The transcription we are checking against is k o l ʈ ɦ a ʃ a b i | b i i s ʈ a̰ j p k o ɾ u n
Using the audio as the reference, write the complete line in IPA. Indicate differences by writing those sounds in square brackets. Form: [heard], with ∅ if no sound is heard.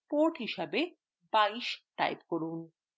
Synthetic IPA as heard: [p] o [ɾ] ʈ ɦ [i] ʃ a b [e] | b [a] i [ʃ] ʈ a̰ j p k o ɾ u n